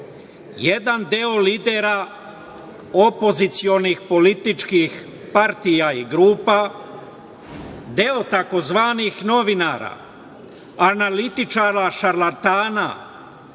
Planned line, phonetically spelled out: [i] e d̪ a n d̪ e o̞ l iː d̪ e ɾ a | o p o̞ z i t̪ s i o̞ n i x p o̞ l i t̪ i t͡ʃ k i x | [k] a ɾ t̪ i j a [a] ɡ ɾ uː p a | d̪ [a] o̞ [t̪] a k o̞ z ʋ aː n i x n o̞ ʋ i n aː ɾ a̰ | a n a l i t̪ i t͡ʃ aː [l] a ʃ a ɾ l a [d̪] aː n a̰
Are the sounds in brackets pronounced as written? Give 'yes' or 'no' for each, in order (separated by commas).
no, no, no, no, yes, no, no